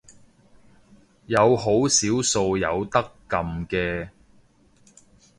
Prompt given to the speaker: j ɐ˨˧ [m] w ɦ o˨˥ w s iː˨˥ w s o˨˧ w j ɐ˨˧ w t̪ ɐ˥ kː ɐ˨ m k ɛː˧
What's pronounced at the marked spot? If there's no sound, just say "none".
none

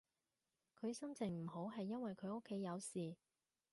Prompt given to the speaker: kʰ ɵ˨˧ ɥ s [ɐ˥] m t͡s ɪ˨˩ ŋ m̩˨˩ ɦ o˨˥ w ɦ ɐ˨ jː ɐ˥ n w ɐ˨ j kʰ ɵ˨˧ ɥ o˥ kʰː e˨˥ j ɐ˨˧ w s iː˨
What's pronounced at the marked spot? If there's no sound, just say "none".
ɐ˥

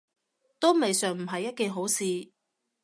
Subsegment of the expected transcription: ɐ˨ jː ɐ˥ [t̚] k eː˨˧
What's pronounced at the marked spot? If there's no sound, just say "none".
t̚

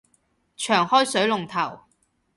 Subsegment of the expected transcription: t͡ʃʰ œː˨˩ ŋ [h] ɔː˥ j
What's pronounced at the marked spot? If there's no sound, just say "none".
h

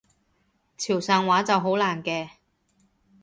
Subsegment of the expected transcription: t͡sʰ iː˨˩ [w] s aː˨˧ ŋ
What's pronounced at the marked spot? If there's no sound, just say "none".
w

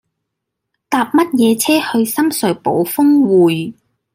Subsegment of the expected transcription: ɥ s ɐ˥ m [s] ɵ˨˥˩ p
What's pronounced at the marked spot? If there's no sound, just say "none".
s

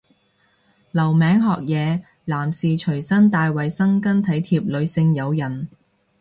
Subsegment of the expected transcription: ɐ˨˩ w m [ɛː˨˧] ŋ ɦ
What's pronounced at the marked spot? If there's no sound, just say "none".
ɛː˨˧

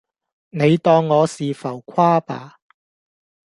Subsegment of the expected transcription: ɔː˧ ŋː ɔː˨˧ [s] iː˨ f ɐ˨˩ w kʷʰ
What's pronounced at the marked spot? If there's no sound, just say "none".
s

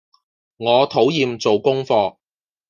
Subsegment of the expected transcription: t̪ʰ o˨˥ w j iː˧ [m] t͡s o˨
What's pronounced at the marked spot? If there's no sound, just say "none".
m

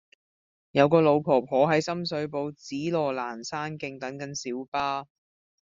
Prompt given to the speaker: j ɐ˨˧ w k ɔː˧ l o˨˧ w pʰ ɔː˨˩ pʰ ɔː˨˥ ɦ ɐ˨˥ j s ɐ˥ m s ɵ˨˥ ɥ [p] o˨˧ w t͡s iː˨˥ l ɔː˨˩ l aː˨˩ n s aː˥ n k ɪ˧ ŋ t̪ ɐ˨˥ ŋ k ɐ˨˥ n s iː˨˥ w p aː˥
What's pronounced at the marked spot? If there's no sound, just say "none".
p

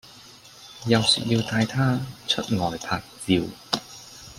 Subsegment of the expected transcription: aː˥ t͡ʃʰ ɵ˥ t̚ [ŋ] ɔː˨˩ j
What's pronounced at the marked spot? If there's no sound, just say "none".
ŋ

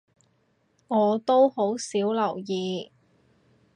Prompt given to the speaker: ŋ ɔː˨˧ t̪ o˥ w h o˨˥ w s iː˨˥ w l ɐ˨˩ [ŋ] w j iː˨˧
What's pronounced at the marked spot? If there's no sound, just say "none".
none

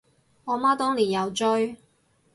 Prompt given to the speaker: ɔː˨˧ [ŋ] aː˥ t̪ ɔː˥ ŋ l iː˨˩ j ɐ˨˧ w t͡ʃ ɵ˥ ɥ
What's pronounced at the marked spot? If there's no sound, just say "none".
m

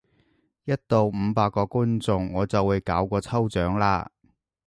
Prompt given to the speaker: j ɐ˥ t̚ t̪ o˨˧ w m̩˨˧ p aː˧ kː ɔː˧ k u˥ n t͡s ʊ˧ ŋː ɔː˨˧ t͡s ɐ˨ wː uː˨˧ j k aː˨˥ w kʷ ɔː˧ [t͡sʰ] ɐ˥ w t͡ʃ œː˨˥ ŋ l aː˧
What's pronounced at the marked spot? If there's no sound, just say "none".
t͡sʰ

